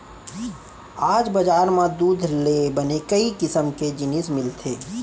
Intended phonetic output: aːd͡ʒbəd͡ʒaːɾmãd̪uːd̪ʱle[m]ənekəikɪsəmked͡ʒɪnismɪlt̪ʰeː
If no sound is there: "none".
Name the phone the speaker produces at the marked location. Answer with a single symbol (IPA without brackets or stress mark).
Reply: b